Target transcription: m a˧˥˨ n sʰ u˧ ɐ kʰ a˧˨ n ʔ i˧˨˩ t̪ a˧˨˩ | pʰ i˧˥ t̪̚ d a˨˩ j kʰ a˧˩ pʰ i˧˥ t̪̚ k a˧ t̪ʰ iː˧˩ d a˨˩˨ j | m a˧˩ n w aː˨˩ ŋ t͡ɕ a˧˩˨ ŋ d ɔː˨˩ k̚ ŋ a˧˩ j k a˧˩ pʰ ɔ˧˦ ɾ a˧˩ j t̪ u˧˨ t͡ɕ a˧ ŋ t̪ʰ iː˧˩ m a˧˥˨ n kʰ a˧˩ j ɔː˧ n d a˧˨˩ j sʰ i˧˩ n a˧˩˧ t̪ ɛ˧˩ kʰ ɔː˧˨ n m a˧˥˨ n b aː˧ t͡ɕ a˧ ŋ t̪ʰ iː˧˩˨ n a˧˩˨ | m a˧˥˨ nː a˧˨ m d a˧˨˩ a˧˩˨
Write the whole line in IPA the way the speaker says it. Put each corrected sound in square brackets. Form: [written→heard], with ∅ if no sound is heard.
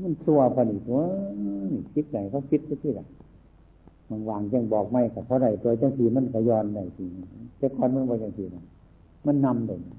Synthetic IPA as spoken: m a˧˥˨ n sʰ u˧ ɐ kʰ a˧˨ n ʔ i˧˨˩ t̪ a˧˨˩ | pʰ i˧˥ t̪̚ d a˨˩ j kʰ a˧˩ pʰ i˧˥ t̪̚ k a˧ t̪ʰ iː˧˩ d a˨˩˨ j | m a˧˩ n w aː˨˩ ŋ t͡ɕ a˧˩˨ ŋ [d→b] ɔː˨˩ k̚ [ŋ→m] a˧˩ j k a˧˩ pʰ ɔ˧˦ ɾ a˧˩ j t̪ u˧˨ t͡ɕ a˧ ŋ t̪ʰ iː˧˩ m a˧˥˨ n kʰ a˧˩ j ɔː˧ n d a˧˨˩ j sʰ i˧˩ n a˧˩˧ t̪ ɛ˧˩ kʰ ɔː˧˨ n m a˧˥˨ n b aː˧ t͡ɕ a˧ ŋ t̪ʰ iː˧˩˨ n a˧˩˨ | m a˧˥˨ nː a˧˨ m d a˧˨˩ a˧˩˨